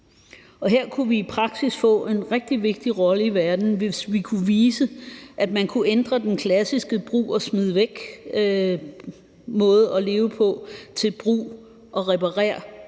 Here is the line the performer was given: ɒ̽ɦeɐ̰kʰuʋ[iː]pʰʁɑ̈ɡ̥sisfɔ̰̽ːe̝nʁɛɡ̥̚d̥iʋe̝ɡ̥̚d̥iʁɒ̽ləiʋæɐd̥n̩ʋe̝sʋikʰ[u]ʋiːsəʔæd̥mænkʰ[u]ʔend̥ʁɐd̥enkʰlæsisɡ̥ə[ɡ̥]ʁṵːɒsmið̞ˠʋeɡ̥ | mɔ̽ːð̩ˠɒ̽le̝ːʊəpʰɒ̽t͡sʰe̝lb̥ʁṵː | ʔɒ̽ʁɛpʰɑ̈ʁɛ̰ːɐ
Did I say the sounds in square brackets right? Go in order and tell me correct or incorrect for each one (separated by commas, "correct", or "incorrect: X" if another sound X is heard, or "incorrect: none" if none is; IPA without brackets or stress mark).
correct, correct, correct, incorrect: b̥